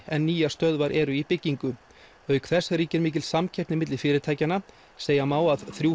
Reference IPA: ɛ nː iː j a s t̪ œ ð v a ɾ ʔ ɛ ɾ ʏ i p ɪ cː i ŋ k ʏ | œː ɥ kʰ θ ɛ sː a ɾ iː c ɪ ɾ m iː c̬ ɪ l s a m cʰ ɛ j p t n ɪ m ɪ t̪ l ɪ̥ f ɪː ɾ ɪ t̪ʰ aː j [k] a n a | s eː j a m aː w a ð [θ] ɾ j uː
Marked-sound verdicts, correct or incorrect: incorrect: c, correct

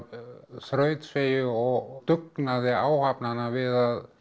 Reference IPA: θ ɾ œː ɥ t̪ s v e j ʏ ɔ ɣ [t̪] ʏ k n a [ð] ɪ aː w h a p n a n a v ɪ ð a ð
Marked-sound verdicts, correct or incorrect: correct, correct

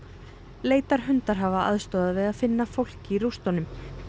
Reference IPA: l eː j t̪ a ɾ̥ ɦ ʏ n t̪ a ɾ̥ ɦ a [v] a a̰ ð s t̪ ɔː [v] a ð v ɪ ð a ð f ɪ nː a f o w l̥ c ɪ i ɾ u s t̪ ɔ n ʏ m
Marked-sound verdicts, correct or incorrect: correct, incorrect: ð

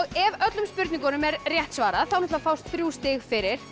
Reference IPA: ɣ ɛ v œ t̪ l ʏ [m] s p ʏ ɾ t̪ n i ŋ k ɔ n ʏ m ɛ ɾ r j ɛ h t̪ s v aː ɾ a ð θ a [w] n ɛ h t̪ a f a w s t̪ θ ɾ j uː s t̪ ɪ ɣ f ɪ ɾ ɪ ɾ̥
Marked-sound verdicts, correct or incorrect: correct, correct

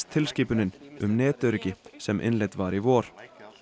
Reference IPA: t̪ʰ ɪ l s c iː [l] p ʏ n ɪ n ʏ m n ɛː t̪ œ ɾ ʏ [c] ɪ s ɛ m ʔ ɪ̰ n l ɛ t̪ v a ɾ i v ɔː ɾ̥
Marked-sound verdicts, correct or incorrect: incorrect: none, correct

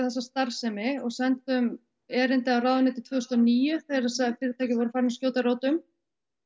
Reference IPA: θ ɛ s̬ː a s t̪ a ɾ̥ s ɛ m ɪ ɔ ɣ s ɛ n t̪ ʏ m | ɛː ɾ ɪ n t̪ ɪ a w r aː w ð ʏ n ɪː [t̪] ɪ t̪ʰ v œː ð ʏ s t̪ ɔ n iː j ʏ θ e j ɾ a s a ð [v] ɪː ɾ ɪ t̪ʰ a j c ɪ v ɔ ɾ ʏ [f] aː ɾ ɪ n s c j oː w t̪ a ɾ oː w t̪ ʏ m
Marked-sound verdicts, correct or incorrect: correct, incorrect: f, correct

